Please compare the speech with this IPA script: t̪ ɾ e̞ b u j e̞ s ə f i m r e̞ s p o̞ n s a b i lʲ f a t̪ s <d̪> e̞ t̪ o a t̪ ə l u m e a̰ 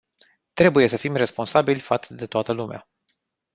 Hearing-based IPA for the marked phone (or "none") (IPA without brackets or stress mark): d̪